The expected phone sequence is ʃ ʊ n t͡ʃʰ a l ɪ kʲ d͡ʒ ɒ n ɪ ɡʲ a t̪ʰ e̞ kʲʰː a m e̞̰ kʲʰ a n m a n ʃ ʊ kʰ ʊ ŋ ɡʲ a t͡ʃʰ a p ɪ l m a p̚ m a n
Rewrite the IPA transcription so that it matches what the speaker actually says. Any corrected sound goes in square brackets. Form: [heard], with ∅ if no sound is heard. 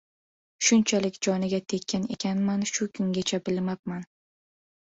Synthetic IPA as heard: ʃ ʊ n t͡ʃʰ a l ɪ kʲ d͡ʒ ɒ n ɪ ɡʲ a t̪ʰ e̞ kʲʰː a [n] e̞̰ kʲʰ a n m a n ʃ ʊ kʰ ʊ ŋ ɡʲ a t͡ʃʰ a [b] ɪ l m a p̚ m a n